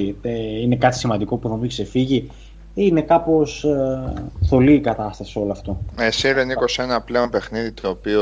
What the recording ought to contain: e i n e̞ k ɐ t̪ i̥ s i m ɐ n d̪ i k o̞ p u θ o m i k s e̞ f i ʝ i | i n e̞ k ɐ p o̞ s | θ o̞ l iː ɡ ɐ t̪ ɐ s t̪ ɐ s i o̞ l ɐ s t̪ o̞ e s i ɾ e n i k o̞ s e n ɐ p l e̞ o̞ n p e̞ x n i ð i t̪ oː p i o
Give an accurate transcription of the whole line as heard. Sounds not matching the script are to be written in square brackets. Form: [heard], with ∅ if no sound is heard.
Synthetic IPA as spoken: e i n e̞ k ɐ t̪ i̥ s i m ɐ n d̪ i k o̞ p u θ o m i k s e̞ f i ʝ i | i n e̞ k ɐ p o̞ s | θ o̞ l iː [k] ɐ t̪ ɐ s t̪ ɐ s i o̞ l ɐ [f] t̪ o̞ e s i ɾ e n i k o̞ s e n ɐ p l e̞ o̞ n p e̞ x n i ð i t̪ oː p i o